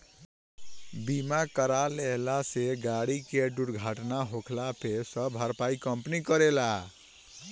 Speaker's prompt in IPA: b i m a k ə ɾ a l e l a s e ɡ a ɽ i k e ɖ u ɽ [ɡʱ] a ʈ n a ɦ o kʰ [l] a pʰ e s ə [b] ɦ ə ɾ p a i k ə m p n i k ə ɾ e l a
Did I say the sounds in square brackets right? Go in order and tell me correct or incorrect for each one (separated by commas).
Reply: correct, correct, correct